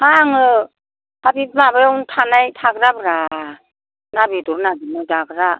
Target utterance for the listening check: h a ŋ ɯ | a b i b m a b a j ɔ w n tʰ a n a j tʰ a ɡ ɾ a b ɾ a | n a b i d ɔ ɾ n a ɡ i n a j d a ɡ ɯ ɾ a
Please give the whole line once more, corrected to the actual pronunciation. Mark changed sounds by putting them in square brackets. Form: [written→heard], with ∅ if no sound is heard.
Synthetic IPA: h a ŋ ɯ | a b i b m a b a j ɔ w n tʰ a n a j tʰ a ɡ ɾ a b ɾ a | n a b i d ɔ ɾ n a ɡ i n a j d a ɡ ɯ ɾ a